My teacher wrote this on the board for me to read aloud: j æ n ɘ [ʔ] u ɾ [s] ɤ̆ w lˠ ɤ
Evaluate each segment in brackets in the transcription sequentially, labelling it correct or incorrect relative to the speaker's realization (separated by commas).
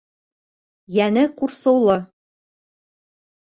incorrect, correct